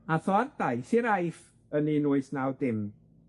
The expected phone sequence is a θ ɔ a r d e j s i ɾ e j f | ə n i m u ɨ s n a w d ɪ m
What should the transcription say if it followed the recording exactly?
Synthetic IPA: a θ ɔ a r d a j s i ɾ a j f | ə n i n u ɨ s n a w d ɪ m